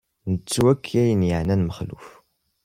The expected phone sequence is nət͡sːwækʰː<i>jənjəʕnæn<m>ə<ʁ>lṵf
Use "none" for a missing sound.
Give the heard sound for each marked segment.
æ, m, χ

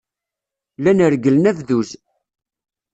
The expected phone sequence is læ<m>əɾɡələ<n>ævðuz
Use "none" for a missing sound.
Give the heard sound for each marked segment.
n, n

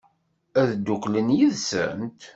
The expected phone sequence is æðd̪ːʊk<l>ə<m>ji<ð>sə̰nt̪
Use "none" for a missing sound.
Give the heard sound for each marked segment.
l, n, ð

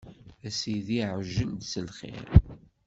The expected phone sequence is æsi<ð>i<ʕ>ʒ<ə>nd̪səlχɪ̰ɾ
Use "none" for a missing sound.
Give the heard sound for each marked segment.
ð, ʕ, ə

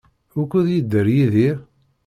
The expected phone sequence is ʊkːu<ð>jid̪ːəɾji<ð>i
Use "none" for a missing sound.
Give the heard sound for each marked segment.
ð, ð

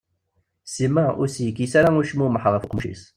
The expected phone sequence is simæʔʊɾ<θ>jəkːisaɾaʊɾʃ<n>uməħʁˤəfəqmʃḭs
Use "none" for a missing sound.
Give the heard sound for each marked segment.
s, m

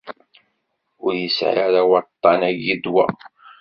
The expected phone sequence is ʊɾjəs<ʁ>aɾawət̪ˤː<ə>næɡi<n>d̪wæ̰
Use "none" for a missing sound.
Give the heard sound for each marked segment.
ʕ, ɑ, none

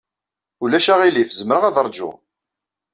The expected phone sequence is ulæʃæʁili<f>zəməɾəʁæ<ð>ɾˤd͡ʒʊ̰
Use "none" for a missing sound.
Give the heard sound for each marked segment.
f, ð

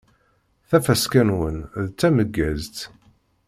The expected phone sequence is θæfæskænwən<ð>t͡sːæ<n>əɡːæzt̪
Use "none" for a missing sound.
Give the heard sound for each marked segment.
ð, m

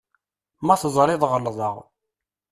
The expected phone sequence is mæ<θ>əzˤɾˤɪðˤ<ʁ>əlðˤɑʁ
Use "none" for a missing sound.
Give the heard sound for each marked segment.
θ, ʁ

